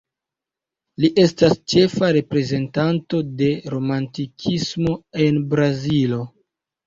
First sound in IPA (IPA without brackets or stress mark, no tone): l